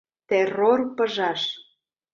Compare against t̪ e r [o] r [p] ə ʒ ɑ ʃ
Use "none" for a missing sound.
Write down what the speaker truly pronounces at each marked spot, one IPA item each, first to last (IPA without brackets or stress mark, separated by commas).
o, p